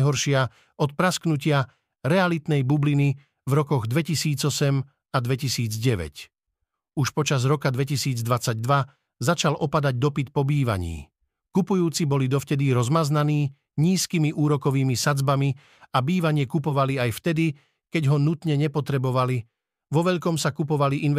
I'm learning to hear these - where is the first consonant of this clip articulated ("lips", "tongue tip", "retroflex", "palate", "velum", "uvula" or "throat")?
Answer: throat